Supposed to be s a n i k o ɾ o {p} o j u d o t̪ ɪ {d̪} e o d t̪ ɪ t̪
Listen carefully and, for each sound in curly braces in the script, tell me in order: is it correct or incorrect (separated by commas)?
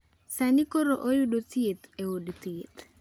incorrect, incorrect